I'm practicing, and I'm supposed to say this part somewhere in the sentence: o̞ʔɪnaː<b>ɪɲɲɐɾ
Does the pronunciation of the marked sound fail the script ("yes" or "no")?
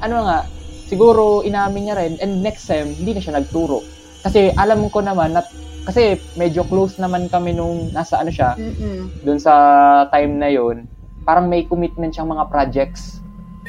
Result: yes